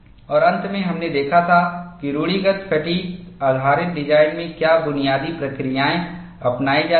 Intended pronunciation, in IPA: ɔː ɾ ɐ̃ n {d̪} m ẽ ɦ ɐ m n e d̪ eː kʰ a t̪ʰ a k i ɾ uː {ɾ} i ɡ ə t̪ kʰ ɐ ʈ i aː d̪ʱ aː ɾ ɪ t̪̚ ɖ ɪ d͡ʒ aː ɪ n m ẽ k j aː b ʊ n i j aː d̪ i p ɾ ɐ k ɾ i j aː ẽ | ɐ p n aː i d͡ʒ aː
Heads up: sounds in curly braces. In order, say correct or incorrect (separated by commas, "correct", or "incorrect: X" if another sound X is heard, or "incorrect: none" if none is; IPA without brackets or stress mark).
incorrect: t̪, incorrect: ɽ